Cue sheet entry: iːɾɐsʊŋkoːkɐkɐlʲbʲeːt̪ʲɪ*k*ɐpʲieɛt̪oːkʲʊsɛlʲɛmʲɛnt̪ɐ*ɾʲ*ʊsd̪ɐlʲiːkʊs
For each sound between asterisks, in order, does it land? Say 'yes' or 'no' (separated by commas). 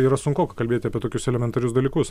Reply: no, yes